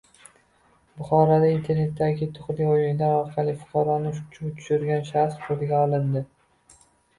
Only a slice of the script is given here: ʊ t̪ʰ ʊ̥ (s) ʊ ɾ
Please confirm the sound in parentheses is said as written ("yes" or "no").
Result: no